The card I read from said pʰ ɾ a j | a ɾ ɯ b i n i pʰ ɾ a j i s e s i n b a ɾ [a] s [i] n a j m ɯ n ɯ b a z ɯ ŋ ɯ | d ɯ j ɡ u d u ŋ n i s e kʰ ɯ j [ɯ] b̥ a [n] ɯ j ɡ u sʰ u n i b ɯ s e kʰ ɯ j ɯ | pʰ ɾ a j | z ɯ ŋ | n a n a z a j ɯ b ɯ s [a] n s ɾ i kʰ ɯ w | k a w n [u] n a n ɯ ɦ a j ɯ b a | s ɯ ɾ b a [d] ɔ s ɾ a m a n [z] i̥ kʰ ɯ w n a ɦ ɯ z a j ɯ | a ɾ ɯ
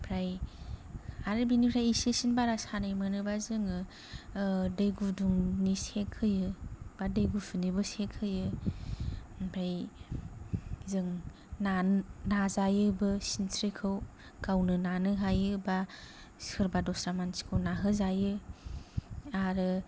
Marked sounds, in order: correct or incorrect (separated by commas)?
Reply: correct, incorrect, correct, incorrect, incorrect, incorrect, correct, incorrect